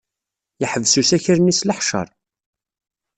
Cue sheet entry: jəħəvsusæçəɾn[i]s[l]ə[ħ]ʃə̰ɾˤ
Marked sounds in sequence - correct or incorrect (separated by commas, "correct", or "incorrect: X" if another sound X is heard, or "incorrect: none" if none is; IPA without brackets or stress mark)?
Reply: correct, correct, correct